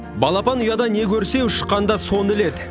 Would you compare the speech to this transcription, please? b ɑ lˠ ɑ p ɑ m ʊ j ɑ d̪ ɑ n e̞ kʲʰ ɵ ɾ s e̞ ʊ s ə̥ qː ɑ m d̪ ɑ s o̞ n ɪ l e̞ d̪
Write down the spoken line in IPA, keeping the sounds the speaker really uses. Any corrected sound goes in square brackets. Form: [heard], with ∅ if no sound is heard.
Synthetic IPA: b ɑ lˠ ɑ p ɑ [n] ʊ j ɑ d̪ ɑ n e̞ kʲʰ ɵ ɾ s e̞ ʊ [ʃ] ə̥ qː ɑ [n] d̪ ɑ s o̞ n ɪ l e̞ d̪